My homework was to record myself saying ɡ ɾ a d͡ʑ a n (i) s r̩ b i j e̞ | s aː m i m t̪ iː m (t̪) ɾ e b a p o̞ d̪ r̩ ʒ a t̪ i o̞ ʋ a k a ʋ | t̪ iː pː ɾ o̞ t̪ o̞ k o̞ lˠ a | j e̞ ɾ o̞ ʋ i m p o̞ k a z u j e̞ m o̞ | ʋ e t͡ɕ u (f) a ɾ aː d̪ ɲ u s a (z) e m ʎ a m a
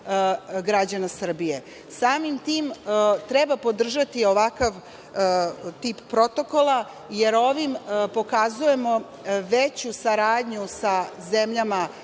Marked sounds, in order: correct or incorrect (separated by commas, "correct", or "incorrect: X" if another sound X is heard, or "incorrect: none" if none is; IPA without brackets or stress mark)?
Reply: incorrect: a, correct, incorrect: s, correct